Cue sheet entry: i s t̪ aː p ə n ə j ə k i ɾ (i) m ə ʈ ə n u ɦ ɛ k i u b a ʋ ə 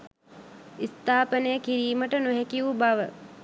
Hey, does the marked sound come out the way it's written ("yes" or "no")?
no